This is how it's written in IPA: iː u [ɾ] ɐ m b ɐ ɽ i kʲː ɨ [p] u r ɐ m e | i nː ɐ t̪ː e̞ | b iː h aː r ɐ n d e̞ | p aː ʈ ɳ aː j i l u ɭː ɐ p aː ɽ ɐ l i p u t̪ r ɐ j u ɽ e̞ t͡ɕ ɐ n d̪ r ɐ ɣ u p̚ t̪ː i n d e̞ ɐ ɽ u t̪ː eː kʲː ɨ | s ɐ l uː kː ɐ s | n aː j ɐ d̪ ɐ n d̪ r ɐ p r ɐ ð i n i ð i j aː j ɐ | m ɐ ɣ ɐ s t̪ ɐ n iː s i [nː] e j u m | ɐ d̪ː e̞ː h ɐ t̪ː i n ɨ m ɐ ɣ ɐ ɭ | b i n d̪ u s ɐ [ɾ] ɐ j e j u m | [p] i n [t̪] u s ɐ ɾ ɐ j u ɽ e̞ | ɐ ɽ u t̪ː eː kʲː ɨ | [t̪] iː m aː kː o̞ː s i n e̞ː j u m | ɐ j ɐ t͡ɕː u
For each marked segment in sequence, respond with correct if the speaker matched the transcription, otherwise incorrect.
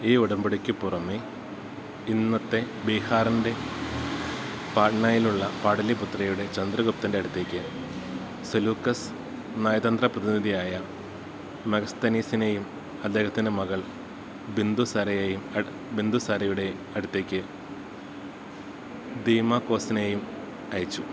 incorrect: ɽ, correct, incorrect: n, correct, incorrect: b, incorrect: d̪, incorrect: d̪

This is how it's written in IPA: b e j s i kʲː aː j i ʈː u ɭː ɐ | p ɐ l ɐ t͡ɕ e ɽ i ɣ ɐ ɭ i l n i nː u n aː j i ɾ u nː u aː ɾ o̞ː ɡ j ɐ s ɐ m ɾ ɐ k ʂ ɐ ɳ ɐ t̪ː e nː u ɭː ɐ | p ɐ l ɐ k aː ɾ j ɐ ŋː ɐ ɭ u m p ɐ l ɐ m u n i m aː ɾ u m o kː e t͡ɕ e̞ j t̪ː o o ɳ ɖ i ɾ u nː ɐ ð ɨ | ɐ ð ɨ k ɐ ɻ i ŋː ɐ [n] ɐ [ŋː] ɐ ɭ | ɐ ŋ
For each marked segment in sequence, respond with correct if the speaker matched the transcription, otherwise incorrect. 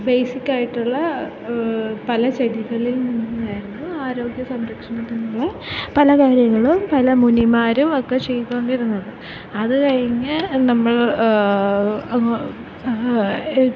correct, incorrect: mː

